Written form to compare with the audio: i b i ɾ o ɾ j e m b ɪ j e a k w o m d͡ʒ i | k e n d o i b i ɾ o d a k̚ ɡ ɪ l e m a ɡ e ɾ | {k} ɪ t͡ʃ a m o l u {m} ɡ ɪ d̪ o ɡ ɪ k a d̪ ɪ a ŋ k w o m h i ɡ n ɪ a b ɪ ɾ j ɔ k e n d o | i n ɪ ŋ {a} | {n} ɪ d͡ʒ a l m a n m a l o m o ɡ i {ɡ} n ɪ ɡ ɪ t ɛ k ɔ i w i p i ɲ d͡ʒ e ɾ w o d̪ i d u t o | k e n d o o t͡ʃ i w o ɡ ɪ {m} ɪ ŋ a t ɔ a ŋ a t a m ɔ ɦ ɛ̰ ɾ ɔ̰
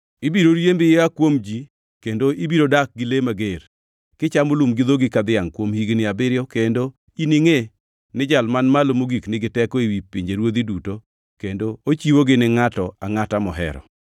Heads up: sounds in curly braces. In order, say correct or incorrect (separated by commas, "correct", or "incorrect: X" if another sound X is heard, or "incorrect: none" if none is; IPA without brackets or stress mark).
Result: correct, correct, incorrect: e, correct, incorrect: k, incorrect: n